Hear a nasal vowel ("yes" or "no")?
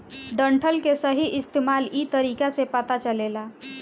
no